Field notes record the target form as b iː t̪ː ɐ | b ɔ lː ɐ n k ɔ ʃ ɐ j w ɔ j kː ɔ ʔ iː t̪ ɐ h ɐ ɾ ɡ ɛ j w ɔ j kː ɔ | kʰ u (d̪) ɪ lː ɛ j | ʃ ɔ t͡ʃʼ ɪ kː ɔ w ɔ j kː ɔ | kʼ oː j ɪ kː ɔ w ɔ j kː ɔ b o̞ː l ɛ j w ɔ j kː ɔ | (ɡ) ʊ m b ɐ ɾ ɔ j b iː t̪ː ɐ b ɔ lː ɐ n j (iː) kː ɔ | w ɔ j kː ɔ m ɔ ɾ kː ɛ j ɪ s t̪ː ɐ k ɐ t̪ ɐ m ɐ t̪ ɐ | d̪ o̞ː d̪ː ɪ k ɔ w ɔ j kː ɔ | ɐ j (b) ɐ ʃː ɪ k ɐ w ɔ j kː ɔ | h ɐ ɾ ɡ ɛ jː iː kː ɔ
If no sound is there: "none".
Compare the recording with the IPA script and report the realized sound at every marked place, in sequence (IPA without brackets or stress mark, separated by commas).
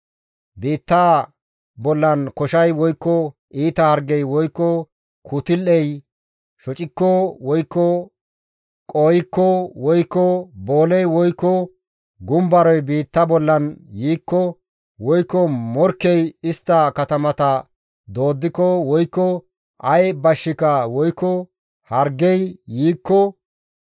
t̪, ɡ, iː, b